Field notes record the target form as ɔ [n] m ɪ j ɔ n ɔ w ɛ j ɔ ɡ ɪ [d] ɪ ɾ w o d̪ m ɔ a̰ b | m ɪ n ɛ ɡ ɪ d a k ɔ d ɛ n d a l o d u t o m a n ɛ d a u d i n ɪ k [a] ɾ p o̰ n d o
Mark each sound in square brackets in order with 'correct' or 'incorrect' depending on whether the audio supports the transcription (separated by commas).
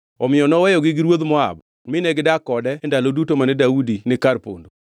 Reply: incorrect, incorrect, correct